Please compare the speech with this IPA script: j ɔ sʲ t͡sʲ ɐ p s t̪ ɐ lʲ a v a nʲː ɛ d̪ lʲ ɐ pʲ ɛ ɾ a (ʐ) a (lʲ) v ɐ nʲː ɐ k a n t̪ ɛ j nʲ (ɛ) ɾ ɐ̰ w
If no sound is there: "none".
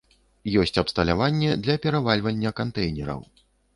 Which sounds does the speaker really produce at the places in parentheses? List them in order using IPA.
v, lʲ, ɛ

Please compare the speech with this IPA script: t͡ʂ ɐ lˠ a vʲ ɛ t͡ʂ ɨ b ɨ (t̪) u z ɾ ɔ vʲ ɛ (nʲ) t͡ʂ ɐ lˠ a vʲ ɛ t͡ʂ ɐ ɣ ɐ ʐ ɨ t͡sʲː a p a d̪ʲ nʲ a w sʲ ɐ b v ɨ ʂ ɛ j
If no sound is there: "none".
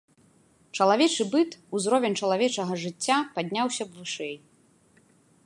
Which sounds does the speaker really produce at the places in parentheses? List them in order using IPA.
t̪, nʲ

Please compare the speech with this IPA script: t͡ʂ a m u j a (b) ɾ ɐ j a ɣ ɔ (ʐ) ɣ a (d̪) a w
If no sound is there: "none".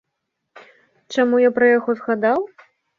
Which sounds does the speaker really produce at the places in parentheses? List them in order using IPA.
p, z, d̪

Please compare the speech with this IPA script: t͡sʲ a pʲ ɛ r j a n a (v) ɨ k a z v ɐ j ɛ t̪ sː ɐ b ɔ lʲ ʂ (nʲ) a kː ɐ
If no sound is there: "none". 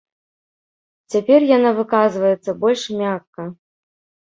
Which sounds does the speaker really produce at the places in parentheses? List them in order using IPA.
v, mʲ

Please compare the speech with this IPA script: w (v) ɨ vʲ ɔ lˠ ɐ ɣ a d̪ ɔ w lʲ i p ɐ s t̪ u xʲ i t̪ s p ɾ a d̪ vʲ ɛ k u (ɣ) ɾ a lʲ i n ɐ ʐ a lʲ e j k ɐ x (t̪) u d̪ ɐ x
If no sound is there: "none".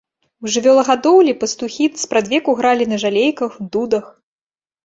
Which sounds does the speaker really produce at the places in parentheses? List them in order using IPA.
ʐ, ɣ, d̪

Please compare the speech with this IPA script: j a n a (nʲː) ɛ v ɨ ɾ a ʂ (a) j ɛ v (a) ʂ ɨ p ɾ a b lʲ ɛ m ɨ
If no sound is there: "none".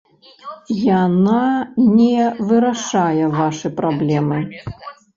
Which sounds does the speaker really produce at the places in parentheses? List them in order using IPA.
nʲ, a, a

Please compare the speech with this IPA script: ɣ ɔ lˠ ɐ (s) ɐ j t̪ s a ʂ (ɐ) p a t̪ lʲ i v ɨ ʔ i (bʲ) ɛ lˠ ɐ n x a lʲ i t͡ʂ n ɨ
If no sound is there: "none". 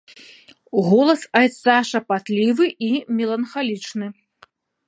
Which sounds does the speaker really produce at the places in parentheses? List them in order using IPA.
s, ɐ, mʲ

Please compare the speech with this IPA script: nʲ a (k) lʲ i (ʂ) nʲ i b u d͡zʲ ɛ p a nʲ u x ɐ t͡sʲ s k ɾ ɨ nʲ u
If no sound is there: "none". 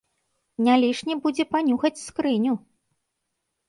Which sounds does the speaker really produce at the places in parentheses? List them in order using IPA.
none, ʂ

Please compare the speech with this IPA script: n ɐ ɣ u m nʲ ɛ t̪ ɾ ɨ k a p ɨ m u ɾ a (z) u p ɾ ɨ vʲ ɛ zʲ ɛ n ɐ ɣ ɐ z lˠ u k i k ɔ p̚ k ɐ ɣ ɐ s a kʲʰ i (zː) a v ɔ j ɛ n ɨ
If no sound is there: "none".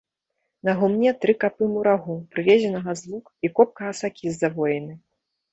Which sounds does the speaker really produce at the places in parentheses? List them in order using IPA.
ɣ, zː

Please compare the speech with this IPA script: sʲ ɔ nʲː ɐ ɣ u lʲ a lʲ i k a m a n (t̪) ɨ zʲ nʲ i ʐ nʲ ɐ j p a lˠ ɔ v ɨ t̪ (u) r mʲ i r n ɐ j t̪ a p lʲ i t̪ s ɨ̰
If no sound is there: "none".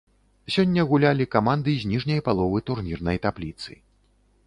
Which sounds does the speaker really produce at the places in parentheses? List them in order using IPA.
d̪, u

